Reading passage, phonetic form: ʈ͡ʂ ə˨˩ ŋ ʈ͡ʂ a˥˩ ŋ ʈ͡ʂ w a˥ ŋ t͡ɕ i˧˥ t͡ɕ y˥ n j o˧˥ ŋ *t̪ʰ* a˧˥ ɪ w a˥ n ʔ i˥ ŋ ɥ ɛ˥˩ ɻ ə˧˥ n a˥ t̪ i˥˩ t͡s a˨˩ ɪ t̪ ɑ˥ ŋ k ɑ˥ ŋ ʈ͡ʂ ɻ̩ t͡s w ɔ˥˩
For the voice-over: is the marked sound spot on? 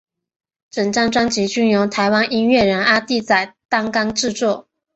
yes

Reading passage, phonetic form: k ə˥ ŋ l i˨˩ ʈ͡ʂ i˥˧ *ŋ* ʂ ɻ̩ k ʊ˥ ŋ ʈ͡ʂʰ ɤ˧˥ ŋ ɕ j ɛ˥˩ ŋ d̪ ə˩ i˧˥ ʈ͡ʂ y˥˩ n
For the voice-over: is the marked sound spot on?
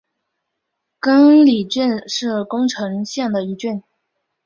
no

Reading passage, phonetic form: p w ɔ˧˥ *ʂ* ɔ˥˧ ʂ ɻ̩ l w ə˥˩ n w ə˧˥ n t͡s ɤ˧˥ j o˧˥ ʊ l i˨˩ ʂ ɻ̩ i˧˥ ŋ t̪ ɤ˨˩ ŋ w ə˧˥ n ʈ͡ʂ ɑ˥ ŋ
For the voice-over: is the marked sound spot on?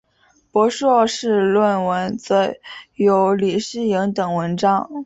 yes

